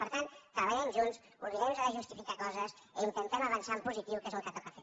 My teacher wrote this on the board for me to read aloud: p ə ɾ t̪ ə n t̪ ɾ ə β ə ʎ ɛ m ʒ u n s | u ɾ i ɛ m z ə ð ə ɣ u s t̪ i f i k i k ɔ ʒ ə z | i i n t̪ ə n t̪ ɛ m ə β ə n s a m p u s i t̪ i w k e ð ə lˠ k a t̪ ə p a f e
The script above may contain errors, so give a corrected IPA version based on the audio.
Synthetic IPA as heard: p ə ɾ t̪ a n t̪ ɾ ə β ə ʎ ɛ m ʒ u n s | u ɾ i ɛ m z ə ð ə ʒ u s t̪ i f i k a k ɔ z ə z | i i n t̪ ə n t̪ ɛ m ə β ə n s a m p u z i t̪ i w k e z ə lˠ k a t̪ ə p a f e